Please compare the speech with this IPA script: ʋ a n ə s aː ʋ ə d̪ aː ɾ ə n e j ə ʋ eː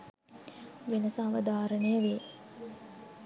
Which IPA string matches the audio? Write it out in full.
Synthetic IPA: ʋ e n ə s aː ʋ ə d̪ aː ɾ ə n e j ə ʋ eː